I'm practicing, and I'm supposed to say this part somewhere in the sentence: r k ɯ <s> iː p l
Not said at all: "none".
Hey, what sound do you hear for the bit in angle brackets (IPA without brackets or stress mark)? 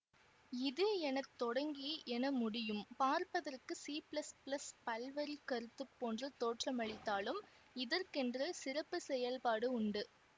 s